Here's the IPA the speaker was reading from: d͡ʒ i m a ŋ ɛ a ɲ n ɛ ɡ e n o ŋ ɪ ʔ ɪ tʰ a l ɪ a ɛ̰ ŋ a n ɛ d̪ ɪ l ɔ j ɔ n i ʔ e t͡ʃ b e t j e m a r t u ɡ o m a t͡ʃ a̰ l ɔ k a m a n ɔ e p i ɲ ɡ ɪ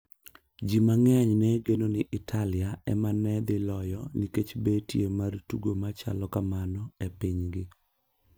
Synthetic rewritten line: d͡ʒ i m a ŋ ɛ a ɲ n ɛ ɡ e n o n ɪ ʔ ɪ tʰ a l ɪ a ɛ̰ m a n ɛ d̪ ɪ l ɔ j ɔ n i k e t͡ʃ b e t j e m a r t u ɡ o m a t͡ʃ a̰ l ɔ k a m a n ɔ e p i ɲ ɡ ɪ